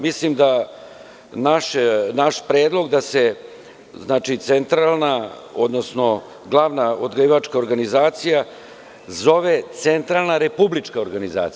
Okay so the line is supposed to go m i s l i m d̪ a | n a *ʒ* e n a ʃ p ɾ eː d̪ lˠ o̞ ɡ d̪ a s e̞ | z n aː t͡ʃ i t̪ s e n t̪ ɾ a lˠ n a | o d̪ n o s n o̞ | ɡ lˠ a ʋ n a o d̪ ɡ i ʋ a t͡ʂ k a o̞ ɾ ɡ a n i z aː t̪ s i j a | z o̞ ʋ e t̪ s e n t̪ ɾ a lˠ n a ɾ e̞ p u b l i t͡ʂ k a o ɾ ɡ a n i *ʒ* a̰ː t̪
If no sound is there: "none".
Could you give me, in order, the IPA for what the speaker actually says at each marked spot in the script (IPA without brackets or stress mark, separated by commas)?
ʃ, z